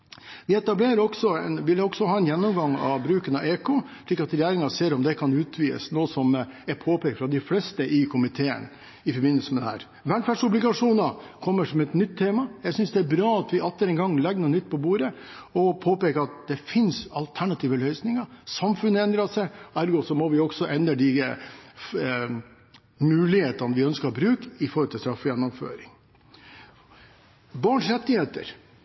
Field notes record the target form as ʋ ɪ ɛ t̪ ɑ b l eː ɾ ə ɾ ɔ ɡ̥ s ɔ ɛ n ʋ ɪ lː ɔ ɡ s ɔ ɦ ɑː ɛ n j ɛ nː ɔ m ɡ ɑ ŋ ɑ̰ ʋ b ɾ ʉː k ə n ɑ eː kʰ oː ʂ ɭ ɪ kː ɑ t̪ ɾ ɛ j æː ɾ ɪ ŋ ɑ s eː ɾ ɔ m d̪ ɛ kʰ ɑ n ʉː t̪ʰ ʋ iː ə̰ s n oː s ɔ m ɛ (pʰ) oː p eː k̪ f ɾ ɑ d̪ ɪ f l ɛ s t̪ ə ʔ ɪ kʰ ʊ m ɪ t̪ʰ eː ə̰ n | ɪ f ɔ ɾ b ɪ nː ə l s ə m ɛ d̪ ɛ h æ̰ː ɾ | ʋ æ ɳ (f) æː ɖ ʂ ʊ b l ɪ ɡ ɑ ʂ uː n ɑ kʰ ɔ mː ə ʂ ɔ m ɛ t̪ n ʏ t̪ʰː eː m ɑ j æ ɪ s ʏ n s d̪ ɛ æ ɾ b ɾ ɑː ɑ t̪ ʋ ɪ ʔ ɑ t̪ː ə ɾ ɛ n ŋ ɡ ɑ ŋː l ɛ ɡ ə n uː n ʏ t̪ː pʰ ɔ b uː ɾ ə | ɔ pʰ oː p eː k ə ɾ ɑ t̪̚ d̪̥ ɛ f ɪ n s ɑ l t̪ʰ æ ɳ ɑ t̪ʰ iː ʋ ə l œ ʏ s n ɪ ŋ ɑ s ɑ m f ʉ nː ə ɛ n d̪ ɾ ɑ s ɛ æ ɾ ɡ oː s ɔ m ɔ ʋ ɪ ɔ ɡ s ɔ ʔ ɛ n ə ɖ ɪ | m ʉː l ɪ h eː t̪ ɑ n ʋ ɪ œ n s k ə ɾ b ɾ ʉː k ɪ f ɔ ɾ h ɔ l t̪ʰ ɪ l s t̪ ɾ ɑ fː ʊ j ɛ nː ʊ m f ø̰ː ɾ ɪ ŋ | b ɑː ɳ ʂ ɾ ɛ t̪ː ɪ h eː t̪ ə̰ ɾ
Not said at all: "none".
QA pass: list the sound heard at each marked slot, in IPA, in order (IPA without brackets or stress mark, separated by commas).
pʰ, f